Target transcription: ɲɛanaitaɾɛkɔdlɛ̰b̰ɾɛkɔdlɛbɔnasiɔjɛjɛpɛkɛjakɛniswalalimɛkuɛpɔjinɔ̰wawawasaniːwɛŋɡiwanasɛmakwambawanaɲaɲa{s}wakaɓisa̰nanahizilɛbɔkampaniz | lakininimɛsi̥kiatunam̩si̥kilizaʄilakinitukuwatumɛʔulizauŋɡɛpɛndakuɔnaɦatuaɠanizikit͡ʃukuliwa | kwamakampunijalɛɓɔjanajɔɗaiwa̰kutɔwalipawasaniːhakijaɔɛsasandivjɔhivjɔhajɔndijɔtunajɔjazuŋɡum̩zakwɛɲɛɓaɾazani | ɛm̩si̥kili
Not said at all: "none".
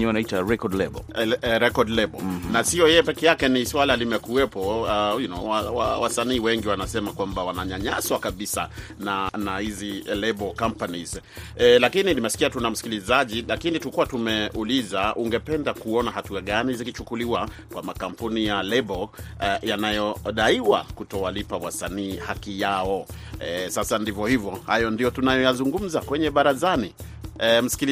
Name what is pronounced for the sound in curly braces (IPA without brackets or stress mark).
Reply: s